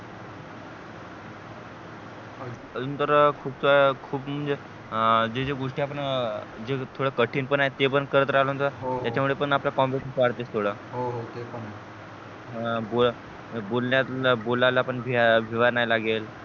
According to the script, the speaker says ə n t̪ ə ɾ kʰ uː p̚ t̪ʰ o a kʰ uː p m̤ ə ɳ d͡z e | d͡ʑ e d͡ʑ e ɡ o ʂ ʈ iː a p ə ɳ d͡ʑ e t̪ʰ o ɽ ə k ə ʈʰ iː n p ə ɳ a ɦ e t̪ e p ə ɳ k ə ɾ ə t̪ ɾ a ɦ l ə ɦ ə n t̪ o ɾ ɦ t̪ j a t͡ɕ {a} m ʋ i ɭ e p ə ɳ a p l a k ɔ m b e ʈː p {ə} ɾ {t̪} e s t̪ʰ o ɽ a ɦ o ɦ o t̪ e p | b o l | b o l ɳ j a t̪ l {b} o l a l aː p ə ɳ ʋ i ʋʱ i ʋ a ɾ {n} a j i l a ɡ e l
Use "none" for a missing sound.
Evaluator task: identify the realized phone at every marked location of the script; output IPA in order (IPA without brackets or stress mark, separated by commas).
a, a, t̪, b, n